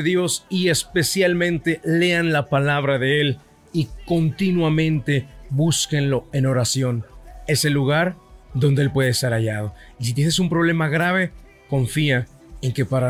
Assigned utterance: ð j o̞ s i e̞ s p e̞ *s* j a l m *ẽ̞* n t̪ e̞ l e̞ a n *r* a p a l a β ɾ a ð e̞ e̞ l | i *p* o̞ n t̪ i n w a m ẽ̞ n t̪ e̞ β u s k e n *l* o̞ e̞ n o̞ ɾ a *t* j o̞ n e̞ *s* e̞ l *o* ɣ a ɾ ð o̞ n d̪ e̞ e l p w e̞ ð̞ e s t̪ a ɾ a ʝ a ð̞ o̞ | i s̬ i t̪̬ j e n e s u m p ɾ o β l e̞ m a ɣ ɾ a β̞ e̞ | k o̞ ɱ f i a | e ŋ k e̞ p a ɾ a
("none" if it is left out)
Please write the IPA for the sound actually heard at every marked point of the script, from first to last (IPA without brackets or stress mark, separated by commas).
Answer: s, ẽ̞, l, k, l, s, s, u